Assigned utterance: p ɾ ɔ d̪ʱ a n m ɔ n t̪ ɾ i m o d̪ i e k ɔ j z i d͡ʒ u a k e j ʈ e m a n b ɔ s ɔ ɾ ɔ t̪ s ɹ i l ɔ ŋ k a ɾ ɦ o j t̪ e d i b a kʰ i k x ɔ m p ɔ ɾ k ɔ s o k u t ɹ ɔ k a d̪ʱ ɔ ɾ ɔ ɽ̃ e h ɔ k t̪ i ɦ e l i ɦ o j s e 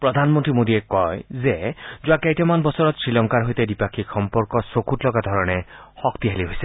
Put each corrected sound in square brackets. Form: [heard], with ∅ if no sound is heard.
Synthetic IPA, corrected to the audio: p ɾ ɔ d̪ʱ a n m ɔ n t̪ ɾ i m o d̪ i e k ɔ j z [e] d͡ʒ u a k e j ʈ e m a n b ɔ s ɔ ɾ ɔ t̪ s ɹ i l ɔ ŋ k a ɾ ɦ o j t̪ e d i [p] a kʰ i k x ɔ m p ɔ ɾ k ɔ s o k u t [l] ɔ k a d̪ʱ ɔ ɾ ɔ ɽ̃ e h ɔ k t̪ i ɦ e l i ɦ o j s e